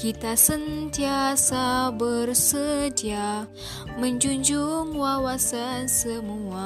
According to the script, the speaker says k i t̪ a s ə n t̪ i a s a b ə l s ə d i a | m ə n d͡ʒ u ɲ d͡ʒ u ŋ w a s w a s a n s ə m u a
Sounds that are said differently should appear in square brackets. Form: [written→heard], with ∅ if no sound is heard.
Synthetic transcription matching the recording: k i t̪ a s ə n t̪ i a s a b ə [l→r] s ə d i a | m ə [n→ɲ] d͡ʒ u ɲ d͡ʒ u ŋ w a [s→∅] w a s a n s ə m u a